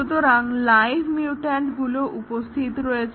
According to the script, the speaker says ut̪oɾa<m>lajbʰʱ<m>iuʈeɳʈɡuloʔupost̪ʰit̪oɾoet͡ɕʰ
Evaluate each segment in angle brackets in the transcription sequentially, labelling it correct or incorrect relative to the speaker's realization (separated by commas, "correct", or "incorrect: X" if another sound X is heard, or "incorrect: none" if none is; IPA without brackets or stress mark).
incorrect: ŋ, correct